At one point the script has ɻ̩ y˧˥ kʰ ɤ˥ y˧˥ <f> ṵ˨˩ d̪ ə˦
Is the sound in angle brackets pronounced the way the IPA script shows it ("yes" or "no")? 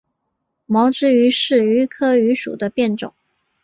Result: no